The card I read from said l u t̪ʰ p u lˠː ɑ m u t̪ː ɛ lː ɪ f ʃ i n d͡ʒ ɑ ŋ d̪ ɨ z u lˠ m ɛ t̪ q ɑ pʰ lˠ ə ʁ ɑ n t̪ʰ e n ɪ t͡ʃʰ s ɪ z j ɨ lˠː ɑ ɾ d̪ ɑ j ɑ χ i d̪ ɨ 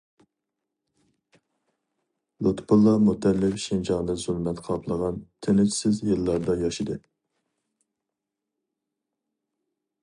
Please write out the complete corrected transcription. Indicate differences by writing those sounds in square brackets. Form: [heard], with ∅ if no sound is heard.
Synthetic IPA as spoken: l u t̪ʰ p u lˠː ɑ m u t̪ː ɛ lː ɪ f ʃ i n d͡ʒ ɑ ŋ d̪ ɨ z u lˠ m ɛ t̪ [qʰ] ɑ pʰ lˠ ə ʁ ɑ n t̪ʰ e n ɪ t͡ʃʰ s ɪ z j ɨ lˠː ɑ ɾ d̪ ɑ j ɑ [ʃ] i d̪ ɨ